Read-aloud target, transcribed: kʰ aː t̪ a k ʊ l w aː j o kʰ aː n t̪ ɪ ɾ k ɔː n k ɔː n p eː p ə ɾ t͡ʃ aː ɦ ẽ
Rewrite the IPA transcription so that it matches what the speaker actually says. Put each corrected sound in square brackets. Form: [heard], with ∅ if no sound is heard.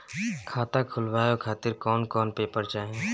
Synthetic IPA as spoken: kʰ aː t̪ a [kʰ] ʊ l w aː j o kʰ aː [∅] t̪ ɪ ɾ k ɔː n k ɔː n p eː p ə ɾ t͡ʃ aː ɦ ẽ